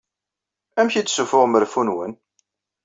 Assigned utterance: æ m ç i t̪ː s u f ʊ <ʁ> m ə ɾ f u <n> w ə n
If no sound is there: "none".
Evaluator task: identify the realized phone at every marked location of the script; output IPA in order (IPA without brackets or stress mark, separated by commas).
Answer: ʁ, n